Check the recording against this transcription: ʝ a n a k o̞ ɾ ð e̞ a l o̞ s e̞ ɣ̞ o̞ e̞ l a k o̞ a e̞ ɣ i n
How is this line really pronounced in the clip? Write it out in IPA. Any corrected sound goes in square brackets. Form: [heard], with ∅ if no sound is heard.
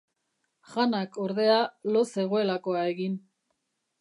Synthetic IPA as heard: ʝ a n a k o̞ ɾ ð e̞ a l o̞ s e̞ ɣ̞ o̞ e̞ l a k o̞ a e̞ ɣ i n